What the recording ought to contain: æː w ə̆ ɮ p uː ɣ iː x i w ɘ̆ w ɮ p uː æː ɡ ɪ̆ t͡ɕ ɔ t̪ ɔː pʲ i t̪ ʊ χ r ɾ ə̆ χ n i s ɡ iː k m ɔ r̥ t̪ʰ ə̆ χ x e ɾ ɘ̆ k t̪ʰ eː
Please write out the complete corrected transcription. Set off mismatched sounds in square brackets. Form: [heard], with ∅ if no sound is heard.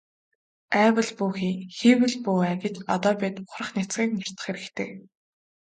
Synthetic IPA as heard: æː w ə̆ ɮ p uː [x] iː x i w ɘ̆ [∅] ɮ p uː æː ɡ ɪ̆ t͡ɕ ɔ t̪ ɔː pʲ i t̪ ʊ χ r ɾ ə̆ χ n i [t͡s] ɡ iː k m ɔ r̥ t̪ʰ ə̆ χ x e ɾ ɘ̆ k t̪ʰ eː